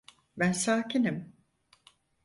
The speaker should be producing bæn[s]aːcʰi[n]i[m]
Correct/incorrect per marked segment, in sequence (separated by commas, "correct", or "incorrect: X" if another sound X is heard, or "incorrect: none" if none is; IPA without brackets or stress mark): correct, correct, correct